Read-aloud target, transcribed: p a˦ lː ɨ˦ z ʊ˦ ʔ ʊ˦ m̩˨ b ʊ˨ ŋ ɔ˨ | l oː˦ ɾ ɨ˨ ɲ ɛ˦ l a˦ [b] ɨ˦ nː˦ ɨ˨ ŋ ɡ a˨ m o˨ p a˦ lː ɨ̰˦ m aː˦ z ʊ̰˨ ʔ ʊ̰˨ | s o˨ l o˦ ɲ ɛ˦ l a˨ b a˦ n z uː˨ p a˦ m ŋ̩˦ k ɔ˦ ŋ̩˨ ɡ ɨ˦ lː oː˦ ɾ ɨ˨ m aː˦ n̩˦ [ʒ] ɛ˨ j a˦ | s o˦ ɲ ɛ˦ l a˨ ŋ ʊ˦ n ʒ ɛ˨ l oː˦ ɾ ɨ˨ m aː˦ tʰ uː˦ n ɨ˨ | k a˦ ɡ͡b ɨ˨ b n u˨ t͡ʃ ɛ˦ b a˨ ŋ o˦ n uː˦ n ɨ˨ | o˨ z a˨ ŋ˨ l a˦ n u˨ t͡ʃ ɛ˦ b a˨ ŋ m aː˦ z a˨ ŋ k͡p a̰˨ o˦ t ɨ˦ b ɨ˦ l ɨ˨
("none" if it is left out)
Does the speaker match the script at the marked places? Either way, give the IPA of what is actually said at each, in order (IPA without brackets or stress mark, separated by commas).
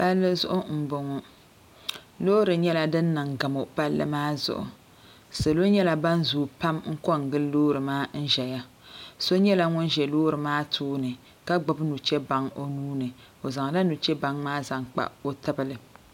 d, ʒ